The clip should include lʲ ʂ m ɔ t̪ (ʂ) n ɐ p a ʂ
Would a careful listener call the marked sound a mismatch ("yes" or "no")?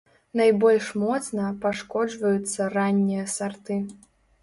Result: yes